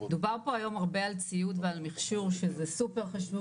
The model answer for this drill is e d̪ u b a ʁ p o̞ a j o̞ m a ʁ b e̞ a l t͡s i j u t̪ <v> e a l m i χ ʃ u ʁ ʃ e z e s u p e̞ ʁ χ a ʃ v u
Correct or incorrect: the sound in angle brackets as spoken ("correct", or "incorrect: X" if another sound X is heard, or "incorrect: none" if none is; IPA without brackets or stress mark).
correct